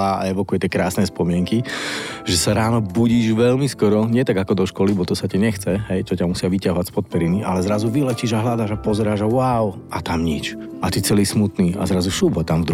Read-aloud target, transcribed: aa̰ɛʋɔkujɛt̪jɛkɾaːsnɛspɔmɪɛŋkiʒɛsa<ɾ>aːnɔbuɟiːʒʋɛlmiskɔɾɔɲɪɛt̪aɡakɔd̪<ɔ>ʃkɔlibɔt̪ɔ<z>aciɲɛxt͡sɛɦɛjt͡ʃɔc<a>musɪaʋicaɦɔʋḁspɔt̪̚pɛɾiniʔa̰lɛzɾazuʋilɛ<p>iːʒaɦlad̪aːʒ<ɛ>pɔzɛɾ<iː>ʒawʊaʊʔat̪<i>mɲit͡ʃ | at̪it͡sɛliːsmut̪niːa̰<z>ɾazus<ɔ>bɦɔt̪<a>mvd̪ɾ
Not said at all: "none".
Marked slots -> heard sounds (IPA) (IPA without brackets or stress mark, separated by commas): ɾ, ɔ, s, a, c, a, aː, a, z, u, a